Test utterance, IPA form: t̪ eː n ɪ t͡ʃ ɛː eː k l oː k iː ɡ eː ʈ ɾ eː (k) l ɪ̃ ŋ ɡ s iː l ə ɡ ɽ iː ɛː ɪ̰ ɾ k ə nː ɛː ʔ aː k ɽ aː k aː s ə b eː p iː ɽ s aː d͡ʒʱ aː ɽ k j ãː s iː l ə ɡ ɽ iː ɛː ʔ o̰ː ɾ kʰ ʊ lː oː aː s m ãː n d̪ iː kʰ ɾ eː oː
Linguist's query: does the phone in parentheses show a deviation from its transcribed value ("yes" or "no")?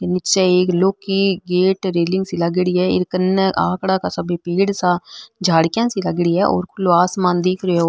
yes